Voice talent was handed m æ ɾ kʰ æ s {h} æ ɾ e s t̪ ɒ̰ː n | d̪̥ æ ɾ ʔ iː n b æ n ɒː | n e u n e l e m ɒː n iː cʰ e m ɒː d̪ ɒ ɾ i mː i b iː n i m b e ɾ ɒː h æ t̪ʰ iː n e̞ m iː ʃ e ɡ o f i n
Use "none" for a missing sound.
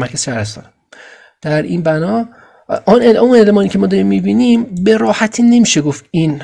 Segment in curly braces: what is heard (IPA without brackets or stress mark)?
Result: ʃ